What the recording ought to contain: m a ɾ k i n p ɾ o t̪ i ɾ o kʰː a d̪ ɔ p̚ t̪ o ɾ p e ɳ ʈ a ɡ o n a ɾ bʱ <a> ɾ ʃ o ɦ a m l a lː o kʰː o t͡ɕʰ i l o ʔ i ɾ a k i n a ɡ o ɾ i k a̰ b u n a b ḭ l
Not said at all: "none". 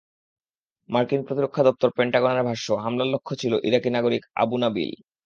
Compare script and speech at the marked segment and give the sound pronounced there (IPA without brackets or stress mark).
a